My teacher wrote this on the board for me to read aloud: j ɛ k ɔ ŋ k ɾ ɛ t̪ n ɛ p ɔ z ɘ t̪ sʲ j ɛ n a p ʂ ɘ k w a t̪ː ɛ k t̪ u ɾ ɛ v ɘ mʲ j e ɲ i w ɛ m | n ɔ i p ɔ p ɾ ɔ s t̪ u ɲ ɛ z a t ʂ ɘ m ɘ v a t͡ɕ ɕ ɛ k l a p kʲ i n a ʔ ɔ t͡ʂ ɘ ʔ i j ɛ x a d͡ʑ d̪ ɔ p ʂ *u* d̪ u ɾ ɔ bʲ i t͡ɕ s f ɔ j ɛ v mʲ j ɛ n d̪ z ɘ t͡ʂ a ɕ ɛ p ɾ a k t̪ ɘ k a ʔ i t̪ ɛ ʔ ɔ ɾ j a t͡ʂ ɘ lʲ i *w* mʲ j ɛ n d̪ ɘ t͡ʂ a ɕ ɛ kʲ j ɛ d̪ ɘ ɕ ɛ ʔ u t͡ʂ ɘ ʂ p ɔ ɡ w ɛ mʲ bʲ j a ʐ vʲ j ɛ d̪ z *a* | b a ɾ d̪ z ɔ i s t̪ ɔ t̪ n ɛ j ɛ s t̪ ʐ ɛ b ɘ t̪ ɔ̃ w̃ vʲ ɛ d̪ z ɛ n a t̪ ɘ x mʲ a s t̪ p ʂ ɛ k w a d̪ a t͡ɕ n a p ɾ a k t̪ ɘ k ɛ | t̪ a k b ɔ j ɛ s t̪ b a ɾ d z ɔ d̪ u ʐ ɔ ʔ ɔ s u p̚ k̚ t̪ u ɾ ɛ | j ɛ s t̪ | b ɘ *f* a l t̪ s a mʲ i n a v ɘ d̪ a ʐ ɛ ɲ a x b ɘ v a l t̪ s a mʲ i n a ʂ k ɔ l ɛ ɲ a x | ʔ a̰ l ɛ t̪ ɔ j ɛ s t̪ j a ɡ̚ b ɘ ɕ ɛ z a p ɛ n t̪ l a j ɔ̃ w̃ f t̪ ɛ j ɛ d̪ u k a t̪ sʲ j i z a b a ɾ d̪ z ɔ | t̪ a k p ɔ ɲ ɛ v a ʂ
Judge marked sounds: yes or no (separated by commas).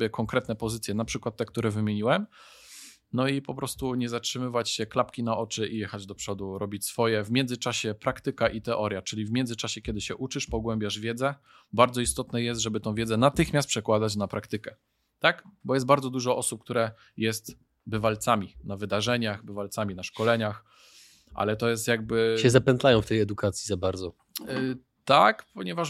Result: no, no, no, no